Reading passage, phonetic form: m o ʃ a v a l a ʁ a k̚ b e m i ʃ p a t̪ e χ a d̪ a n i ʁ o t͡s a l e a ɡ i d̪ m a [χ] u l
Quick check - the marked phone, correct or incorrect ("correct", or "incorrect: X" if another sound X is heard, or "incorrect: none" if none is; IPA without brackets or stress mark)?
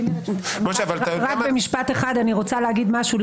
incorrect: ʃ